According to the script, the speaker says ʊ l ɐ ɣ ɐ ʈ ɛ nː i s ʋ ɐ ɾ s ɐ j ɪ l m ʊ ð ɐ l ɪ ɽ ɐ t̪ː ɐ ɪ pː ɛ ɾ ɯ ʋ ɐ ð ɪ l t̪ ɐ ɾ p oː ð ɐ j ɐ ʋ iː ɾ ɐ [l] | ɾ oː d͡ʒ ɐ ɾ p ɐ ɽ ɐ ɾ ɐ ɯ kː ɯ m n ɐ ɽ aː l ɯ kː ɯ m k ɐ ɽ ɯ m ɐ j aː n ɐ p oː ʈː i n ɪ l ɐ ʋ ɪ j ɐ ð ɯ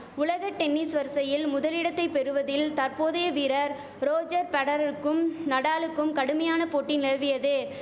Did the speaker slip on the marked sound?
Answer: yes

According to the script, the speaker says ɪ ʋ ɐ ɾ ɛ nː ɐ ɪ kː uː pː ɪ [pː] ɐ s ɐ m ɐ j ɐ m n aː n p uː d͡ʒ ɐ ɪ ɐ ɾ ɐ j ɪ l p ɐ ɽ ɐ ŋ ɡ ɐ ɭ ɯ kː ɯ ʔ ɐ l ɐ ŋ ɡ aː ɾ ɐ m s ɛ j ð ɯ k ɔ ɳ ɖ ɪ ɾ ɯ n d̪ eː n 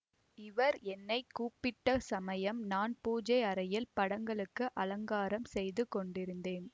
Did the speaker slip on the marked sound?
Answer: yes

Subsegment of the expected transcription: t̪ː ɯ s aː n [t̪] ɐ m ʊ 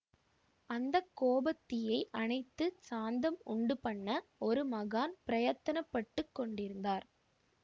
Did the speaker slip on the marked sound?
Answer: yes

